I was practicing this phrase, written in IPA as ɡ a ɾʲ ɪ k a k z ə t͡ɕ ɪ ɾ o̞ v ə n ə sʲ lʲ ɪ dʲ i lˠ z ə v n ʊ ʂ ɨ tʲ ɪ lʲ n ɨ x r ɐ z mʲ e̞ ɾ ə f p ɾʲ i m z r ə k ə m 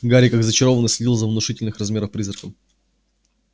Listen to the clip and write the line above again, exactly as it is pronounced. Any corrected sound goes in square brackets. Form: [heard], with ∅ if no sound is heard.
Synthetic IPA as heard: ɡ a ɾʲ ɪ k a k z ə t͡ɕ ɪ ɾ o̞ v ə n ə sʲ lʲ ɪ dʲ i lˠ z ə v n ʊ ʂ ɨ tʲ ɪ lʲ n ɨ x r ɐ z mʲ e̞ ɾ ə f p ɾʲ i [∅] z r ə k ə m